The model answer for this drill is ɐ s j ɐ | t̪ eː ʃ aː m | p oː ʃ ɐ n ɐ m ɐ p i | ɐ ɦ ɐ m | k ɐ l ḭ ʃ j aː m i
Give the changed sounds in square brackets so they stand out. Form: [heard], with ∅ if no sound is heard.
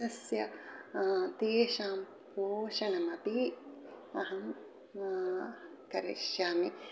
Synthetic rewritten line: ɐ s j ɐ | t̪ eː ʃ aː m | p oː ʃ ɐ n ɐ m ɐ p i | ɐ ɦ ɐ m | k ɐ [ɾ] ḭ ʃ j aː m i